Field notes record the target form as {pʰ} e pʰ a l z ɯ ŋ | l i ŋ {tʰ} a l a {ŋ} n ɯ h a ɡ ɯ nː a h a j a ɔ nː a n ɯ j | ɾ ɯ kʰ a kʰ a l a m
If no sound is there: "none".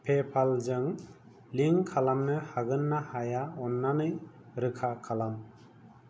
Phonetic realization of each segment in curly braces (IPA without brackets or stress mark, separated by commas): pʰ, kʰ, m